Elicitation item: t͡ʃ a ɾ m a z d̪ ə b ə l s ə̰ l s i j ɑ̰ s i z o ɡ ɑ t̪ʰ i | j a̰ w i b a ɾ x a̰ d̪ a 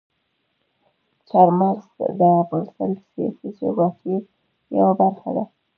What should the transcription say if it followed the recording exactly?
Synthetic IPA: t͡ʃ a ɾ m a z d̪ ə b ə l s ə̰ l s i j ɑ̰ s i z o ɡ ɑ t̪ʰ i | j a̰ w a b a ɾ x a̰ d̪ a